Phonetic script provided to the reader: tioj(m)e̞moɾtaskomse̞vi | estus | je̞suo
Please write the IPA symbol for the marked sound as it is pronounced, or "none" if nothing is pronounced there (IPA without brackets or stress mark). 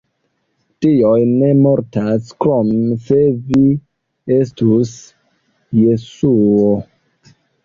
n